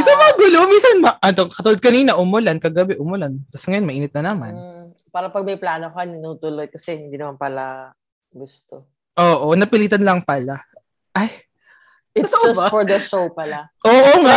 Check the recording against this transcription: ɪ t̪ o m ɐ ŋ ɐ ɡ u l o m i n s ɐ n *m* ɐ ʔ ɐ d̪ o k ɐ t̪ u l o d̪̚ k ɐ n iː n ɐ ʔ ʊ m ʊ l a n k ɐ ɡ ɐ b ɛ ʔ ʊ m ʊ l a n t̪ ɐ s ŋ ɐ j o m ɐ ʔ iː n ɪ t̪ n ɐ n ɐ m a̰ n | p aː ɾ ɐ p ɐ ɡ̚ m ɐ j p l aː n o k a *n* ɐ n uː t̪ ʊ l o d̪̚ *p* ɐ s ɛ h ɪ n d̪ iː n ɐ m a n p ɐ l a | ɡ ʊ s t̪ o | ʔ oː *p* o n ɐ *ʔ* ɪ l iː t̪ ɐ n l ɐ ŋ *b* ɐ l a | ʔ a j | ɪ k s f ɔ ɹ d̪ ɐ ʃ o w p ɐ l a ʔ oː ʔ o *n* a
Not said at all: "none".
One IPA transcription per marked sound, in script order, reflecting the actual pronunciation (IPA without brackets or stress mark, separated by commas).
m, n, k, ʔ, p, p, ŋ